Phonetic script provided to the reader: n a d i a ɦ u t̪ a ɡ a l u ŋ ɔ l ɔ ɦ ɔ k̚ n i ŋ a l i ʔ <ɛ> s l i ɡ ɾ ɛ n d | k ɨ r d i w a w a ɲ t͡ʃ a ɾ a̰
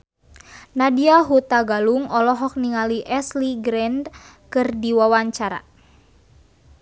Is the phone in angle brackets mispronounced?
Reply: no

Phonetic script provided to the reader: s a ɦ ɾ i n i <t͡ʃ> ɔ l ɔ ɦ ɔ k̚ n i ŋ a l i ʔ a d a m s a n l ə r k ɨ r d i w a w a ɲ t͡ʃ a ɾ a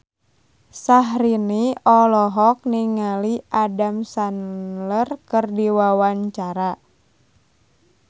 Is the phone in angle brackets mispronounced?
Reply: yes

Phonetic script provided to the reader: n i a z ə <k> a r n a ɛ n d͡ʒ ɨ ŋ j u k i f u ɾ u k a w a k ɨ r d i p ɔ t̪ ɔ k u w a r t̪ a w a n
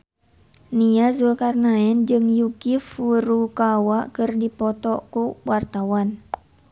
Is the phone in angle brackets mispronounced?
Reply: no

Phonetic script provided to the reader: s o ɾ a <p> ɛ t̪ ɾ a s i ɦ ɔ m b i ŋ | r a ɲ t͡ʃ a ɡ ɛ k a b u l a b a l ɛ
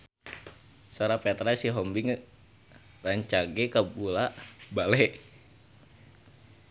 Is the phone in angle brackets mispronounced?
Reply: no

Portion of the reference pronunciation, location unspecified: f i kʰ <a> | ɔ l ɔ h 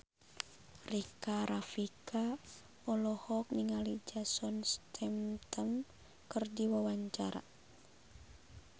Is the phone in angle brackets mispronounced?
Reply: no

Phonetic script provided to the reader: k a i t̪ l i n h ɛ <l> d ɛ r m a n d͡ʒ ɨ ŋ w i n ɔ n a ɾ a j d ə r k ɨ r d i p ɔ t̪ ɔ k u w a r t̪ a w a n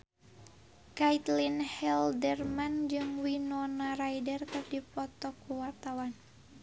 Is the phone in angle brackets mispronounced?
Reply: no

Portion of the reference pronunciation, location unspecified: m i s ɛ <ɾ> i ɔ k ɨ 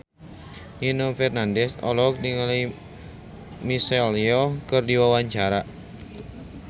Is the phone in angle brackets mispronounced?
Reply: yes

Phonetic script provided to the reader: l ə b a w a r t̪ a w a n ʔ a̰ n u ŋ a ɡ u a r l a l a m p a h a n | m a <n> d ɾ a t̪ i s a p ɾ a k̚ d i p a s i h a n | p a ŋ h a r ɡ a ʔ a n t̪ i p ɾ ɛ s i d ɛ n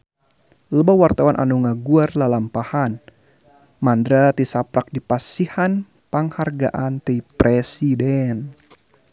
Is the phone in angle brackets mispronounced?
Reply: no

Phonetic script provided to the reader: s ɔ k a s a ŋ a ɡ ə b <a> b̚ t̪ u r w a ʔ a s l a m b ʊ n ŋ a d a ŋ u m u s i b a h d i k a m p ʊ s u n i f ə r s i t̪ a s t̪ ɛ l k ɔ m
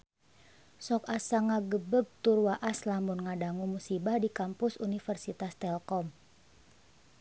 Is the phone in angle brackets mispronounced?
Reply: yes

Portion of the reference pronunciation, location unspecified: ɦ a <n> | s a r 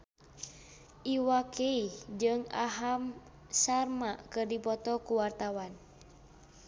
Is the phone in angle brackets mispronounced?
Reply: yes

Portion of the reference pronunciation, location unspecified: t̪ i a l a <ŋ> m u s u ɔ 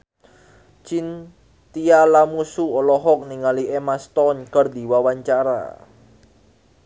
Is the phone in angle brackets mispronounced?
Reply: yes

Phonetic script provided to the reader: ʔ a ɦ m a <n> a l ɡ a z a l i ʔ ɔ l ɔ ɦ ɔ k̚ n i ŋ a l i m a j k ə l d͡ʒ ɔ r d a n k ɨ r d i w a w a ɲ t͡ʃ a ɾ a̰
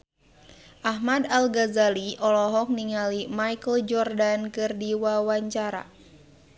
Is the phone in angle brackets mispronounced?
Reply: yes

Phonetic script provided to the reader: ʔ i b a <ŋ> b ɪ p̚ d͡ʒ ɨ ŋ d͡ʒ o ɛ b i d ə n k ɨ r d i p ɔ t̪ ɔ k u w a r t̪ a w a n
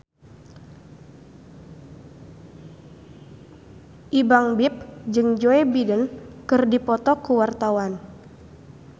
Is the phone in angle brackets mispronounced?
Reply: no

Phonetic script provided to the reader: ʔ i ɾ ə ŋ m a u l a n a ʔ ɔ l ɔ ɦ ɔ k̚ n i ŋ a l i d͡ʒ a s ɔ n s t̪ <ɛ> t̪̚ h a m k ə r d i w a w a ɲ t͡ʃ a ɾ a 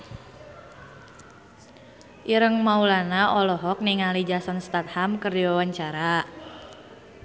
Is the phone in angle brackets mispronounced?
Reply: yes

